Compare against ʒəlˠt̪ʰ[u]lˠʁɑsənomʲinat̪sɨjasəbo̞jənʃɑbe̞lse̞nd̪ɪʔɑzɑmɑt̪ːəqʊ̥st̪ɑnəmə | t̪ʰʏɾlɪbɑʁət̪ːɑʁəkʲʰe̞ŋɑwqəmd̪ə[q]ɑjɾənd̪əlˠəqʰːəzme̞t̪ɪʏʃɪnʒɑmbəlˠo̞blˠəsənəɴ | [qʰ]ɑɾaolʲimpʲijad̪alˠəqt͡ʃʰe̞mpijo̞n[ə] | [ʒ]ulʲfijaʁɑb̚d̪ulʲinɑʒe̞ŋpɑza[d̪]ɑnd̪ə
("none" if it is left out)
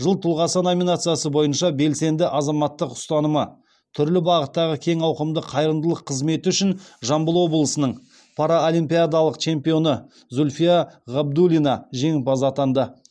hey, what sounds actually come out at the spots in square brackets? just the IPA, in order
ʊ, qʰ, pʰ, ə, z, t̪

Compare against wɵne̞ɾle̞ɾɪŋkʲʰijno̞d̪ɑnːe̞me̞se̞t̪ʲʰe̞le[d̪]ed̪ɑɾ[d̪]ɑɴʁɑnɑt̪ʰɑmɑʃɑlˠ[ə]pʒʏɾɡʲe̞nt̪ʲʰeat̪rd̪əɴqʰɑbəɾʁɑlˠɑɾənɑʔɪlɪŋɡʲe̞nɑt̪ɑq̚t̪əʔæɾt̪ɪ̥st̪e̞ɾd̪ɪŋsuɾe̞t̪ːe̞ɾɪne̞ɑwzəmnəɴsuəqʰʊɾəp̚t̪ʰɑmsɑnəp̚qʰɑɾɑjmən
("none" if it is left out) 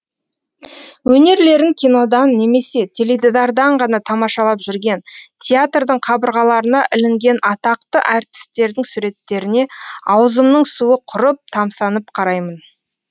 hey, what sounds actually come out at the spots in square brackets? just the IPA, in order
d̪, d̪, ɑ

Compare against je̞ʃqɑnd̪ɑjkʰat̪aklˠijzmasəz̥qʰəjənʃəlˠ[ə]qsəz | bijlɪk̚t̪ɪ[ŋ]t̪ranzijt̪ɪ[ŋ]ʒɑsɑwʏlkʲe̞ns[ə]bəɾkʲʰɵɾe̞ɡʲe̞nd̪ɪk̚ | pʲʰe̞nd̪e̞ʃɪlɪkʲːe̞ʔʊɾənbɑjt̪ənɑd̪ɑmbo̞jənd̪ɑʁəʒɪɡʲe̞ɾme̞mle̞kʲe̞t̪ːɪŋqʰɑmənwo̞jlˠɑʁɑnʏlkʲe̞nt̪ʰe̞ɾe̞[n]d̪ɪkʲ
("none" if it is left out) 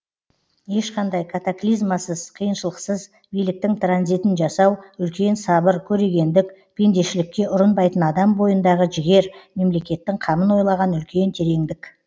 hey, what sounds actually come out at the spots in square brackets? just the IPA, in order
ə, ŋ, n, ɑ, ŋ

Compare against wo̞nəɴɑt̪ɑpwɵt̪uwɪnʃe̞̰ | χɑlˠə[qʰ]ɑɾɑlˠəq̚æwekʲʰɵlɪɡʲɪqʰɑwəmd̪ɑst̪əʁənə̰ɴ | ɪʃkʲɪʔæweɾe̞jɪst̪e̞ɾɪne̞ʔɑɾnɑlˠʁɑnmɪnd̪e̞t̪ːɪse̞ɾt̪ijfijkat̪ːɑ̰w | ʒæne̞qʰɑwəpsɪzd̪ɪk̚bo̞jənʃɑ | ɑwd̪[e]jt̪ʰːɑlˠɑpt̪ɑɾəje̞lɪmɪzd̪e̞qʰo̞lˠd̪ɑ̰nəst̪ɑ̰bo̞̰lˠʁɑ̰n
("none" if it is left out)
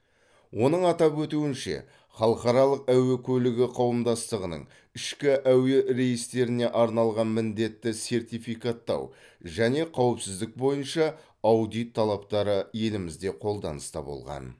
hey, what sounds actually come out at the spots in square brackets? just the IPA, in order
q, i

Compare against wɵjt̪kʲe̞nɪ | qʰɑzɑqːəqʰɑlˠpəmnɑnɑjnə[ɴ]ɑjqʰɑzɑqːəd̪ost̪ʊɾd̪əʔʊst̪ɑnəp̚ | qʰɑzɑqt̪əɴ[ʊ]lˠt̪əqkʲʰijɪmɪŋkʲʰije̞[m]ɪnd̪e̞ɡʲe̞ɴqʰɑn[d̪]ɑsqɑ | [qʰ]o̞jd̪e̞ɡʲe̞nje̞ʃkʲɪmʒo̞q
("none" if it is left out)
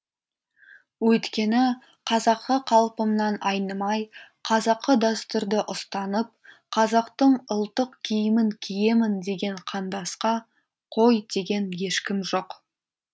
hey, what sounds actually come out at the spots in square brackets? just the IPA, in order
m, ʊ, m, d̪, qʰ

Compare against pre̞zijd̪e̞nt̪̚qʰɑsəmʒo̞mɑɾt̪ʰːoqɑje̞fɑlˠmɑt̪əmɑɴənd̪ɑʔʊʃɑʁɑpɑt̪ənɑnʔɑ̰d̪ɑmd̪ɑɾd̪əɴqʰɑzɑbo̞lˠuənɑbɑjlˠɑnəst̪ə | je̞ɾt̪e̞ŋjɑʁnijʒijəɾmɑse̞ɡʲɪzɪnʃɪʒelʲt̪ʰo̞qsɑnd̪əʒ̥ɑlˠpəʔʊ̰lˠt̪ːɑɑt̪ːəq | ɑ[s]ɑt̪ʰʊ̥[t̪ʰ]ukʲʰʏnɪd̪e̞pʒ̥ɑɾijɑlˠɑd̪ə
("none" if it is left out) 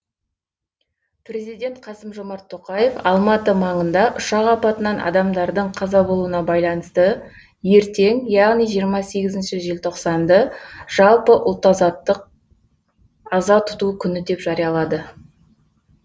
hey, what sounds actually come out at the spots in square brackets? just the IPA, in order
z, t̪

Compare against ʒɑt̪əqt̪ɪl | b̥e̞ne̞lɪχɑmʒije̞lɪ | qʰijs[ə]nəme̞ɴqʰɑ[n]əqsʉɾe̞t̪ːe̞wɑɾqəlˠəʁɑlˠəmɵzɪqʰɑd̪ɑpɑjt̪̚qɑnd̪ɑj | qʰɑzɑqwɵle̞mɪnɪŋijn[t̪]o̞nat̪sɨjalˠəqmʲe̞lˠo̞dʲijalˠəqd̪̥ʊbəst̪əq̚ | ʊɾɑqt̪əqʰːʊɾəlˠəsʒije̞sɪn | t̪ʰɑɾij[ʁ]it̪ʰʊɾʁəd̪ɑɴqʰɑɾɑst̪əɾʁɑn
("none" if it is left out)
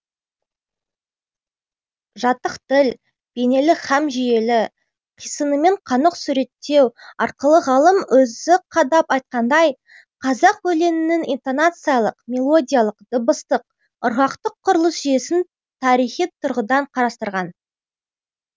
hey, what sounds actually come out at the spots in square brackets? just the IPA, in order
ə, n, t̪, χ

